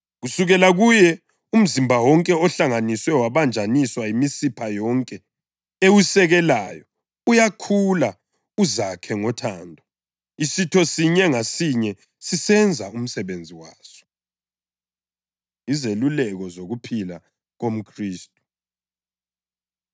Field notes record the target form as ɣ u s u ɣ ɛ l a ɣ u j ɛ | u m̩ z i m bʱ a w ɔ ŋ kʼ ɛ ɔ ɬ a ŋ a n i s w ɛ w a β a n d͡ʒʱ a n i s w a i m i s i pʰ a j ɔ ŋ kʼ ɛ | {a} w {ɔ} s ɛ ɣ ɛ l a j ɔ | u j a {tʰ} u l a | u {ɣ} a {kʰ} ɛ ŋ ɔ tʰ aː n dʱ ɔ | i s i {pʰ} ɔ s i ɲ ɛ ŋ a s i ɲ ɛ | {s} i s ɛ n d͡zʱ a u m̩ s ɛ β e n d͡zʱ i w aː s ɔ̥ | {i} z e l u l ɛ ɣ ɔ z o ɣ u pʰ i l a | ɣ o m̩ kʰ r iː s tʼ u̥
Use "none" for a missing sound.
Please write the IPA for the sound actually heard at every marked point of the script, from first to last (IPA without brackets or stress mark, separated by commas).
e, u, kʰ, z, kʰ, tʰ, s, i